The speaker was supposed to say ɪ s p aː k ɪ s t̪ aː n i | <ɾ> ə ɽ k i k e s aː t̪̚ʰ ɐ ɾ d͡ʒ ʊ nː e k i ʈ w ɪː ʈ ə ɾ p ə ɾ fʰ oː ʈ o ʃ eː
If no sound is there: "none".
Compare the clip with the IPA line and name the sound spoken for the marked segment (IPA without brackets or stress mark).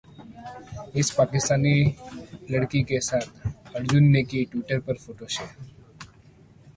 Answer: l